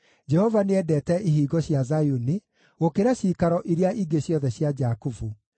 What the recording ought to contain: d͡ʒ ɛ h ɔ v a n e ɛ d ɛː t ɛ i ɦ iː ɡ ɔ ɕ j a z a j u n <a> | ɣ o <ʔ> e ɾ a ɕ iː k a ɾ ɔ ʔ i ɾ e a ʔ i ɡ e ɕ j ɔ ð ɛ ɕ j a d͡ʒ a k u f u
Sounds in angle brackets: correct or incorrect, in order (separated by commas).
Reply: incorrect, incorrect